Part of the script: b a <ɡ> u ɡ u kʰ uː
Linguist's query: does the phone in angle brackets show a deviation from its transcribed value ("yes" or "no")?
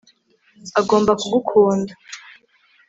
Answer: yes